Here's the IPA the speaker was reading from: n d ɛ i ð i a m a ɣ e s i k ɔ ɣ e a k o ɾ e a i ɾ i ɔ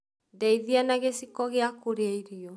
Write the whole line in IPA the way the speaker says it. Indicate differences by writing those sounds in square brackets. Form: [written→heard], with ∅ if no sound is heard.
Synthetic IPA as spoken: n d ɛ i ð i a [m→n] a ɣ e s i k ɔ ɣ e a k o ɾ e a i ɾ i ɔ